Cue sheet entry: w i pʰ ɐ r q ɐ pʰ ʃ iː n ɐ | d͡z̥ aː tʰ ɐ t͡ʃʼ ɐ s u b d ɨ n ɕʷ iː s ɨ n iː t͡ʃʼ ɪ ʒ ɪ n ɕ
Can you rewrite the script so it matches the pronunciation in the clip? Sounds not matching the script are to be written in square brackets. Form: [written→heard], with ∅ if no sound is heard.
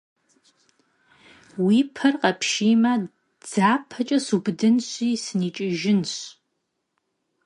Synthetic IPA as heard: w i pʰ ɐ r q ɐ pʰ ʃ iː [n→m] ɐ | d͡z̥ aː [tʰ→pʰ] ɐ t͡ʃʼ ɐ s u b d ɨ n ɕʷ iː s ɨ n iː t͡ʃʼ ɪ ʒ ɪ n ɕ